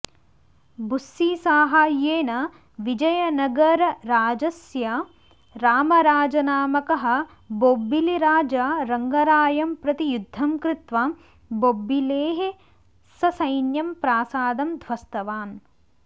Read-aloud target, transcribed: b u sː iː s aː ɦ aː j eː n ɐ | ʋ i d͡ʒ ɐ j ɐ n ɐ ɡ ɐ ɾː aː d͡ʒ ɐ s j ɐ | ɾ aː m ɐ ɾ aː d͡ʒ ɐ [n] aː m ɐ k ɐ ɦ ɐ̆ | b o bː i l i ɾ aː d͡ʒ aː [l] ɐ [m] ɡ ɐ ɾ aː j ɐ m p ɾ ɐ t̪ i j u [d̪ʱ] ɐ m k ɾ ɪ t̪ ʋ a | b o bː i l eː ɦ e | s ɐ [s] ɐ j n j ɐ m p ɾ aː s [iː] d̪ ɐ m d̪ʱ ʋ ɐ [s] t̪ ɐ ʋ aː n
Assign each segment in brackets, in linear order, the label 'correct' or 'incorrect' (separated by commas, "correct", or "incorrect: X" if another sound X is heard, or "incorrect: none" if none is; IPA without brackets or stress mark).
correct, incorrect: ɾ, incorrect: ŋ, incorrect: d̪ʱː, correct, incorrect: aː, correct